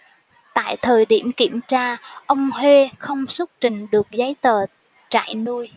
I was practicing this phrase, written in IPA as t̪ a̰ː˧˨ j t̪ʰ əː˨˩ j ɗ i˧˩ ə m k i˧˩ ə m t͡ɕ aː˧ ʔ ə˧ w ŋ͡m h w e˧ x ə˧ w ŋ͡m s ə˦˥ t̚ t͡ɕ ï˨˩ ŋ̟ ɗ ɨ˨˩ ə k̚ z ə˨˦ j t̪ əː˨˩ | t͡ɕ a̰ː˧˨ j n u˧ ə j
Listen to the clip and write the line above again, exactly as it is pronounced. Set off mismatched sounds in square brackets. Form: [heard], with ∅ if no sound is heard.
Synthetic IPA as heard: t̪ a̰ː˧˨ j t̪ʰ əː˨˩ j ɗ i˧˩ ə m k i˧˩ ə m t͡ɕ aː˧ ʔ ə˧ w ŋ͡m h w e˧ x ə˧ w ŋ͡m s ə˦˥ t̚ t͡ɕ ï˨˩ ŋ̟ ɗ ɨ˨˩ ə k̚ z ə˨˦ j t̪ əː˨˩ | t͡ɕ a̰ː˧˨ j n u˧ ə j